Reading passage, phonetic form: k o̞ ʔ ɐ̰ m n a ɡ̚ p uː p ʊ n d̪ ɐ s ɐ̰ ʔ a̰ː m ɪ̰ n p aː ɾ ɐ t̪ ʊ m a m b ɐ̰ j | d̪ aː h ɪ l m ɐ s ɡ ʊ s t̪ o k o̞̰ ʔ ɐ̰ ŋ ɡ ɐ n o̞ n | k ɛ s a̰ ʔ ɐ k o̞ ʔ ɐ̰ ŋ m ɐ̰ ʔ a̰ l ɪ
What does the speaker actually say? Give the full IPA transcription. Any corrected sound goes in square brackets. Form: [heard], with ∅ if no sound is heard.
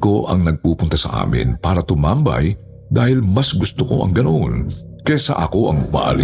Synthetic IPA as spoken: k o̞ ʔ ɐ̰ [ŋ] n [ɐ] ɡ̚ p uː p ʊ n [t̪] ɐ s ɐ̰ ʔ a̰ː m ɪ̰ n p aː ɾ ɐ t̪ ʊ m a m b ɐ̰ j | d̪ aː h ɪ l m ɐ s ɡ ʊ s t̪ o k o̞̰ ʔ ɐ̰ ŋ ɡ ɐ n o̞ n | k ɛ s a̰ ʔ ɐ k o̞ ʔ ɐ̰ ŋ m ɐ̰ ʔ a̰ l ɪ